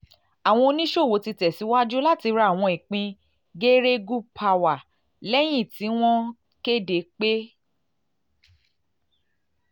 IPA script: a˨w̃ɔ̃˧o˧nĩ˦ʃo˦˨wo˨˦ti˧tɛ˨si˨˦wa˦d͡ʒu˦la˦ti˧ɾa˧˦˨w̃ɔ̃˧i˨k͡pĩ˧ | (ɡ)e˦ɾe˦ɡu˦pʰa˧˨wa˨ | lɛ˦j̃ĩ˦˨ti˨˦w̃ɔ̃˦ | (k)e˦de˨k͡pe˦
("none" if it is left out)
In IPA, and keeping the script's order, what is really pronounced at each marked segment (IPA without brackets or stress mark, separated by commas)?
ɡ, k